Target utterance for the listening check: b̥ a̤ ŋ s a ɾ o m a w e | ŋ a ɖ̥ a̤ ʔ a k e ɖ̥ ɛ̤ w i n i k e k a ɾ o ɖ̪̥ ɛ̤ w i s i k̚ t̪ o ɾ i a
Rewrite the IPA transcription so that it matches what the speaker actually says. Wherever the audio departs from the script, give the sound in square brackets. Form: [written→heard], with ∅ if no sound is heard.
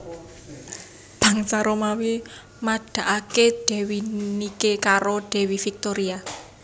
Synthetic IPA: b̥ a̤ ŋ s a ɾ o m a w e | [ŋ→m] a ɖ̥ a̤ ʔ a k e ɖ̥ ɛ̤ w i n i k e k a ɾ o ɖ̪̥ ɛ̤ w i [s→f] i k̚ t̪ o ɾ i a